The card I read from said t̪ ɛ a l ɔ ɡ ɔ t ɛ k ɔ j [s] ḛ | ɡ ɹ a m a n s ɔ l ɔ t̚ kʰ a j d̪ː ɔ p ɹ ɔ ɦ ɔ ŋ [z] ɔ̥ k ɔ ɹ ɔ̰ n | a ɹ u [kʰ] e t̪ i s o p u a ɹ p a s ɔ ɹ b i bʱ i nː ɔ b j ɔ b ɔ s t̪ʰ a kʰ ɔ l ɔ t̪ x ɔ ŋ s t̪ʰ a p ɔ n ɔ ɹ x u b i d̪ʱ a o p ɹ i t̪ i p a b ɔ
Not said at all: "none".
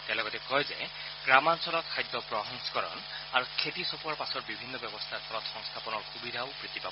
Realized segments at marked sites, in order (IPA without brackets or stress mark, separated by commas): z, s, kʰ